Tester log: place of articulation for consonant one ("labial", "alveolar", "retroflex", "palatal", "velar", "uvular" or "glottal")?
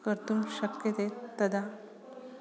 velar